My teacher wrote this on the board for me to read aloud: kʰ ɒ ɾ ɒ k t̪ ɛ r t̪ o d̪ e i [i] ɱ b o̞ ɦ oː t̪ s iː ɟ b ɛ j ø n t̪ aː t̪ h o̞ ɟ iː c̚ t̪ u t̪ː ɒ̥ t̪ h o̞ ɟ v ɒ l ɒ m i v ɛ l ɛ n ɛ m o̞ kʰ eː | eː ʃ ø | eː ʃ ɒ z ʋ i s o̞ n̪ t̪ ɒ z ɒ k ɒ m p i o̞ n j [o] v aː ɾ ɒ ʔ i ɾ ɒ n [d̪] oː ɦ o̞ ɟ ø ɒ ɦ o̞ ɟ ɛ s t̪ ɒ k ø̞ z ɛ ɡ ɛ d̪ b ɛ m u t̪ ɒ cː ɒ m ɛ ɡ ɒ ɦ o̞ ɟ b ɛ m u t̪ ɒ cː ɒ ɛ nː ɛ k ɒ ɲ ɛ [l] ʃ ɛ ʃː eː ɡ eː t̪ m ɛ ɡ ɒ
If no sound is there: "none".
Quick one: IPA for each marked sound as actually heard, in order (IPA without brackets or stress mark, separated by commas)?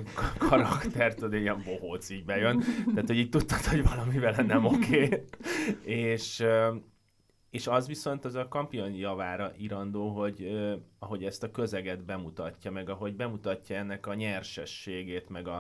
ɛ, ɒ, d̪, r